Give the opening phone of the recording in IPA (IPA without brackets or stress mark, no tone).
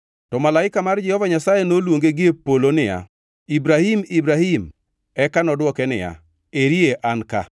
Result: t